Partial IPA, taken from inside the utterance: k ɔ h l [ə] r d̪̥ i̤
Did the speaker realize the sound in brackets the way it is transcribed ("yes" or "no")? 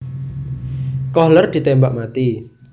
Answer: yes